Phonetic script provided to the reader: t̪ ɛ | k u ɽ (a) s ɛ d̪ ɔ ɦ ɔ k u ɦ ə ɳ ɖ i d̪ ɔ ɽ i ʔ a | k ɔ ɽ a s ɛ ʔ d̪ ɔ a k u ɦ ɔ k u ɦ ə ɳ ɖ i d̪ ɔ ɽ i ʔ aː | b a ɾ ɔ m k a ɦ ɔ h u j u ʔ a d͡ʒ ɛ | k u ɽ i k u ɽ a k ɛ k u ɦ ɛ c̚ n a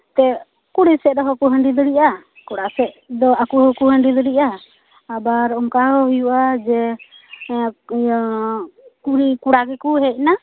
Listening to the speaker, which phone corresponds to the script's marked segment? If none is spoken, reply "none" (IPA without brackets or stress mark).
i